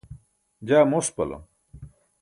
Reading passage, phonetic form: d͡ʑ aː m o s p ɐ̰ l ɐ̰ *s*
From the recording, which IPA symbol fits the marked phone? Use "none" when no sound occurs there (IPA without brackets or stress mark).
none